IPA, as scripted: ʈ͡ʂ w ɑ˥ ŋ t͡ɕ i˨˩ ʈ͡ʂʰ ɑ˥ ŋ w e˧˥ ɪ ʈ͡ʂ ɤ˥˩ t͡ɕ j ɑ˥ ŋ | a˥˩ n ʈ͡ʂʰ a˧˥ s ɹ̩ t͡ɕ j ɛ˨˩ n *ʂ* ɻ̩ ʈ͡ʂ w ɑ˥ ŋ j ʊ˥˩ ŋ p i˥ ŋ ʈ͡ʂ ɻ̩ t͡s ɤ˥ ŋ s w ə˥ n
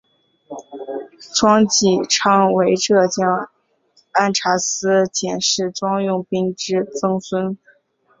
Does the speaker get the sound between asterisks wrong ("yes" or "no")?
no